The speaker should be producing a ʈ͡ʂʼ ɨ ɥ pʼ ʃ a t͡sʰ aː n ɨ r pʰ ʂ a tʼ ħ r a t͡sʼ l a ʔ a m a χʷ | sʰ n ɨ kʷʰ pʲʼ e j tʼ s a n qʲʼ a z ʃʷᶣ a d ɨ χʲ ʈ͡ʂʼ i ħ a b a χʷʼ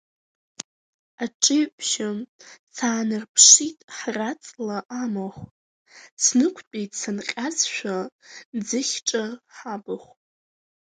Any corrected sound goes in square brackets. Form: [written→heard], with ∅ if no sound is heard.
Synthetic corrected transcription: a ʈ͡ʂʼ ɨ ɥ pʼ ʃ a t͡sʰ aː n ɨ r pʰ ʂ [a→i] tʼ ħ r a t͡sʼ l a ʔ a m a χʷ | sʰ n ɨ kʷʰ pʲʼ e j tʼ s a n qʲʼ a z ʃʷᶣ a [d→d͡z] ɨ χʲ ʈ͡ʂʼ [i→a] ħ a b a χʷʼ